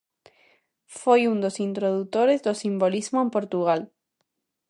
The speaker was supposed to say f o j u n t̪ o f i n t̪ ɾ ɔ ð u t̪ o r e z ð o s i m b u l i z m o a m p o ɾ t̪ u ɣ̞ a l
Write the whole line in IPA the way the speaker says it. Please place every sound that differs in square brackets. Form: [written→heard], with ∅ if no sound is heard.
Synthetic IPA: f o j u n [t̪→d̪] o [f→s] i n t̪ ɾ [ɔ→o] ð u t̪ o [r→ɾ] e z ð o s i m b [u→o] l i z m o [a→e] m p o ɾ t̪ u ɣ̞ a l